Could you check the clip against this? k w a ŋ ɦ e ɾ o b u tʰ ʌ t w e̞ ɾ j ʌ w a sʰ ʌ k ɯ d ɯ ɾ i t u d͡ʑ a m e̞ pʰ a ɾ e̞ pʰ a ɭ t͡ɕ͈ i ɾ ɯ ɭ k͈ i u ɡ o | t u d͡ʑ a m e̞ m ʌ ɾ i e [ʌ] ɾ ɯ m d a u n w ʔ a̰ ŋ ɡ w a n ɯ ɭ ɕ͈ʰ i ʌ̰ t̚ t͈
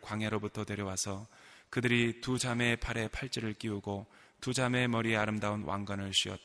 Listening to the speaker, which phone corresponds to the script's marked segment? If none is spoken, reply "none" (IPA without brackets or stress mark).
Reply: a